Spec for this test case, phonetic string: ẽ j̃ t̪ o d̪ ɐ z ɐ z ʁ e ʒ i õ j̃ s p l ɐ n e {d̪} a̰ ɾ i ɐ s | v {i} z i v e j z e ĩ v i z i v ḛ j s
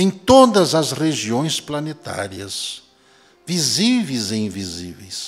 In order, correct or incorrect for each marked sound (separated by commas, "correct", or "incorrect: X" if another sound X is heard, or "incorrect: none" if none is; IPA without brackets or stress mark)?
incorrect: t̪, correct